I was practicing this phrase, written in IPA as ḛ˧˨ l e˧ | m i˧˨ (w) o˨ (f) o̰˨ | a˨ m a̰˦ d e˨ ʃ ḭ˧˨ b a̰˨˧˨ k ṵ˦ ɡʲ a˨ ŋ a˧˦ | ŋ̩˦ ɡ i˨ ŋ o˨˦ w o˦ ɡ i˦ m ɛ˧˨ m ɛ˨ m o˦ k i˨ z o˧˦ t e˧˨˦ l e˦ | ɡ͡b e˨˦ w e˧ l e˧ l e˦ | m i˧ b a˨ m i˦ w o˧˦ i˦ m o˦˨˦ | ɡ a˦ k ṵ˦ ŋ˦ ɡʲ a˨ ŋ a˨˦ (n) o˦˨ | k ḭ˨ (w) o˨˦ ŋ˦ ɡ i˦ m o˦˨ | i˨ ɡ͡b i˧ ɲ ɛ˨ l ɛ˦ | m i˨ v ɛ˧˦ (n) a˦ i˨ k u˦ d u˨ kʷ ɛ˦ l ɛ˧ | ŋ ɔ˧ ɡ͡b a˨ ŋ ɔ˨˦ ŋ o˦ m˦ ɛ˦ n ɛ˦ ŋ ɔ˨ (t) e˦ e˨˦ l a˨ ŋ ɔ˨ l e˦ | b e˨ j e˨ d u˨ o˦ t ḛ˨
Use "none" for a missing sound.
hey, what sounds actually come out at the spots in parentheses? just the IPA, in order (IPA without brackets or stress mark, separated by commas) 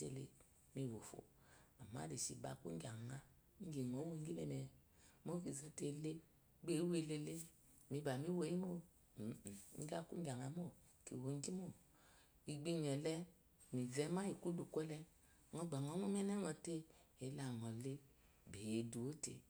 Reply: w, f, m, w, m, t